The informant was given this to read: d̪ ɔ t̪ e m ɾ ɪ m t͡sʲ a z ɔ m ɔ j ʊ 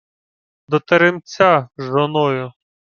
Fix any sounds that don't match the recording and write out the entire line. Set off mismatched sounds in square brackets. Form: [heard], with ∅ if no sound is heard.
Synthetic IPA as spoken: d̪ ɔ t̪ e [∅] ɾ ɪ m t͡sʲ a [ʒ] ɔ [n] ɔ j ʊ